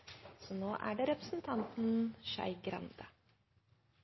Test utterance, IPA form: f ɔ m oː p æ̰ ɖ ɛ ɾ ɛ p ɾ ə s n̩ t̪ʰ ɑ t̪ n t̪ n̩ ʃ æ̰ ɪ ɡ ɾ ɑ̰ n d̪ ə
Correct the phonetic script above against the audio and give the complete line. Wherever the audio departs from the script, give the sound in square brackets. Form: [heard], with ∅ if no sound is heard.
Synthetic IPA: [s] ɔ [n] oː [ʔ] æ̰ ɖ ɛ ɾ ɛ p ɾ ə s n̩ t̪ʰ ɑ [∅] n t̪ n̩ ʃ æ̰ ɪ ɡ ɾ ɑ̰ n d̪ ə